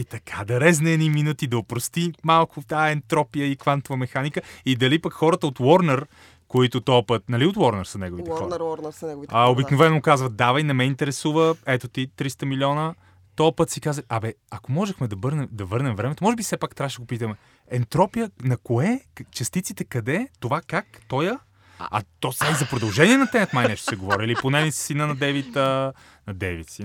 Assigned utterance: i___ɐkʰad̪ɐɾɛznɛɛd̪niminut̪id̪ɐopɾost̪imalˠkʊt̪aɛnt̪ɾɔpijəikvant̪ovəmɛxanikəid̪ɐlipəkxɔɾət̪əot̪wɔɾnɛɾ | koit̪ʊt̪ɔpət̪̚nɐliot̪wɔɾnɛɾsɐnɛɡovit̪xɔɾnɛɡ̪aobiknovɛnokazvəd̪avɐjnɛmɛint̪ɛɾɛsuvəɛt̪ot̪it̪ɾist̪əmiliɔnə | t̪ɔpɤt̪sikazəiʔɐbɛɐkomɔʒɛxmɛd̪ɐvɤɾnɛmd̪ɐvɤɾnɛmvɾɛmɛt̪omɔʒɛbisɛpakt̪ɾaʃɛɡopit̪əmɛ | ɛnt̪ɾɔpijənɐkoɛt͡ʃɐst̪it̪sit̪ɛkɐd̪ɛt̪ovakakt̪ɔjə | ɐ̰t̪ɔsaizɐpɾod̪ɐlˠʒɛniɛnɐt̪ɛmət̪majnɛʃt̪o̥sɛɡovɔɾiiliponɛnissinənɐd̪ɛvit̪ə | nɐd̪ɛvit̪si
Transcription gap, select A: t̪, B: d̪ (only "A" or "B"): A